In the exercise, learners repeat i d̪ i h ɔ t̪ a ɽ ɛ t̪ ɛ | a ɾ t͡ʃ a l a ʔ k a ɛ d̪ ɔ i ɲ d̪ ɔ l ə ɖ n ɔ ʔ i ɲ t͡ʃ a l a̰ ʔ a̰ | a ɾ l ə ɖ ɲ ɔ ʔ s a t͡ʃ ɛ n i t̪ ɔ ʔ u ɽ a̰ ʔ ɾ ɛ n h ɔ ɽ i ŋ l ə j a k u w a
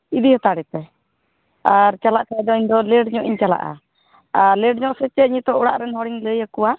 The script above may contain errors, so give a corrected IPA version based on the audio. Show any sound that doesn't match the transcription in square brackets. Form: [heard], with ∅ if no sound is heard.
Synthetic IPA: i d̪ i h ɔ t̪ a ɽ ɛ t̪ ɛ | a ɾ t͡ʃ a l a ʔ k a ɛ d̪ ɔ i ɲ d̪ ɔ l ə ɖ [ɲ] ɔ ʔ i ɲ t͡ʃ a l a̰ ʔ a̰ | a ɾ l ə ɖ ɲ ɔ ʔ s [ɛ] t͡ʃ ɛ [ɲ] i t̪ ɔ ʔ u ɽ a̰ ʔ ɾ ɛ n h ɔ ɽ i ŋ l ə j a k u w a